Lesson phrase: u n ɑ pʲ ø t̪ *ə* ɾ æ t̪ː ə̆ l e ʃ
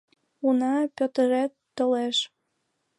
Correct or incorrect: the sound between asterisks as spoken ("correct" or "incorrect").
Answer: correct